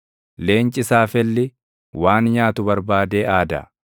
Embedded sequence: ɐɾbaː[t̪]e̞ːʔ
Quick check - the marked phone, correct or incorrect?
incorrect